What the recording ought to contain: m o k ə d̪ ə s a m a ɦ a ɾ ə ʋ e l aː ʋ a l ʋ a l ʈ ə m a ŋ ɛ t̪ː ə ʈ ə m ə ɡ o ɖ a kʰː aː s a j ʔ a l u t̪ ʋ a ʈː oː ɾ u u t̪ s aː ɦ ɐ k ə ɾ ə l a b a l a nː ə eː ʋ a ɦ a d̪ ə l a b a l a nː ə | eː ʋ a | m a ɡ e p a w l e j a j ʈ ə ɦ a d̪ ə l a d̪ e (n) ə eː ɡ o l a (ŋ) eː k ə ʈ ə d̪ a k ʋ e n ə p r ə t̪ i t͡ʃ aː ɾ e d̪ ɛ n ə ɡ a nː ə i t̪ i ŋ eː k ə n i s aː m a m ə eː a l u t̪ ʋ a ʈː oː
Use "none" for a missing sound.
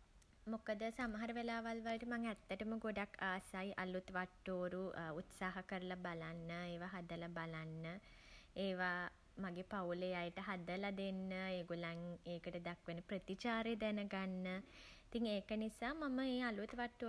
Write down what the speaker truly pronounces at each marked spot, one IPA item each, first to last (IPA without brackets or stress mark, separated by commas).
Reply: nː, ŋ